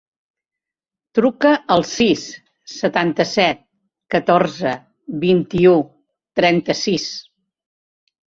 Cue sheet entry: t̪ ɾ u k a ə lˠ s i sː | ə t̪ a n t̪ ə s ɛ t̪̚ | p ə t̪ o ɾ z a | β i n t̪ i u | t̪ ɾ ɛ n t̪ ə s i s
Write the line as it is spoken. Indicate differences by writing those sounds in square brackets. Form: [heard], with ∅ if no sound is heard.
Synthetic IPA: t̪ ɾ u k [ə] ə lˠ s i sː | ə t̪ a n t̪ ə s ɛ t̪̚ | [k] ə t̪ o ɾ z [ə] | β i n t̪ i u | t̪ ɾ ɛ n t̪ ə s i s